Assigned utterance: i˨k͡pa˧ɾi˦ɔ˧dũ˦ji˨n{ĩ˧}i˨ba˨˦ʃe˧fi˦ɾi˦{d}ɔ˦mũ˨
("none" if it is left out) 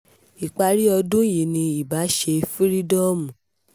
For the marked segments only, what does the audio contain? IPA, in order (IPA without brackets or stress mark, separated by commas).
ĩ˧, d